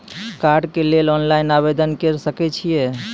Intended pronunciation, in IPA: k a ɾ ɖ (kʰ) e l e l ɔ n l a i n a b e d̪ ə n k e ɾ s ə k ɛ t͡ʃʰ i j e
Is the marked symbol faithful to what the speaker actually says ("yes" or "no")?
no